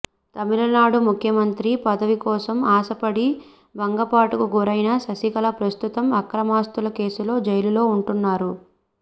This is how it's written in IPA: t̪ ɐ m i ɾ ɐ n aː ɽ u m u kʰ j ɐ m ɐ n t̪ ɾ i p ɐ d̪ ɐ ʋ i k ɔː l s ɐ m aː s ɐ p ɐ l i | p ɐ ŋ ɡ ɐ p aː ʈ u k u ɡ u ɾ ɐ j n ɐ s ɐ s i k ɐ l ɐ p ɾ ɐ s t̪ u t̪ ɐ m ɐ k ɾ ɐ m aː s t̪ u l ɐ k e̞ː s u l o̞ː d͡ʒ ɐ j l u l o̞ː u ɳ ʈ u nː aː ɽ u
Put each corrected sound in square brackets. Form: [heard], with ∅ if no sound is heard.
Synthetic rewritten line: t̪ ɐ m i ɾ ɐ n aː ɽ u m u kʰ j ɐ m ɐ n t̪ ɾ i p ɐ d̪ ɐ ʋ i k ɔː [∅] s ɐ m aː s ɐ p ɐ [ɽ] i | [b] ɐ ŋ ɡ ɐ p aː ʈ u k u ɡ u ɾ ɐ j n ɐ s ɐ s i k ɐ l ɐ p ɾ ɐ s t̪ u t̪ ɐ m ɐ k ɾ ɐ m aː s t̪ u l ɐ k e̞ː s u l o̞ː d͡ʒ ɐ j l u l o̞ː u ɳ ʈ u nː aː [ɾ] u